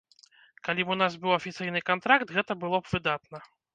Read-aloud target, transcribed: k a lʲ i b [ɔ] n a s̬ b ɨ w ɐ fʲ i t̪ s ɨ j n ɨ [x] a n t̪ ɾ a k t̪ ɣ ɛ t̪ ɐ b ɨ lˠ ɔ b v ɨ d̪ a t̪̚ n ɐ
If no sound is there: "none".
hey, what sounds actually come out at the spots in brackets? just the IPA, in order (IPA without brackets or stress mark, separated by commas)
u, k